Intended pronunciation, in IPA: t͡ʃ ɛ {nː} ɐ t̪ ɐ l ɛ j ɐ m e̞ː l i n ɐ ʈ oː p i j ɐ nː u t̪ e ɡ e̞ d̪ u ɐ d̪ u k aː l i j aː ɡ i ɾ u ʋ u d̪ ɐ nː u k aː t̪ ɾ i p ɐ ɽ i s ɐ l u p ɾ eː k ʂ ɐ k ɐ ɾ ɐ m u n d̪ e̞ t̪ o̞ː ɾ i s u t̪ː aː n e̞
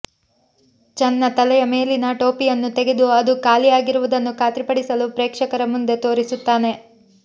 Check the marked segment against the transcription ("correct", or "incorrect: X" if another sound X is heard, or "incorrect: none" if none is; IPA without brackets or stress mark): correct